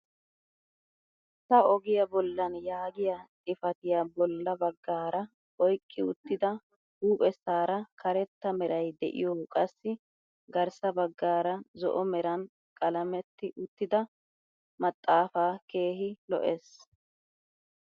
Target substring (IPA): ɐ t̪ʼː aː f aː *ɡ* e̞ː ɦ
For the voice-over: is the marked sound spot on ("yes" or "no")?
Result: no